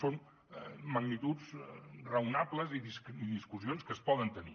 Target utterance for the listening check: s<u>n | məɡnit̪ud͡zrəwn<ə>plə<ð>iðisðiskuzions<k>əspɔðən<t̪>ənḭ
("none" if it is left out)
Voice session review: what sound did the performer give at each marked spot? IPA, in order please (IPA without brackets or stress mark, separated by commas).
o, a, z, k, t̪